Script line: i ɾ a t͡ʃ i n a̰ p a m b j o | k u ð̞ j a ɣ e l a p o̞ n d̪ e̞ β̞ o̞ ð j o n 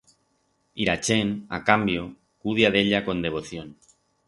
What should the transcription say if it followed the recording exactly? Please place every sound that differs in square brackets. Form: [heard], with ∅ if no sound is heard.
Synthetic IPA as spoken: i ɾ a t͡ʃ [e] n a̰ [k] a m b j o | k u ð̞ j a [ð] e [ʎ] a [k] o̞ n d̪ e̞ β̞ o̞ [θ] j o n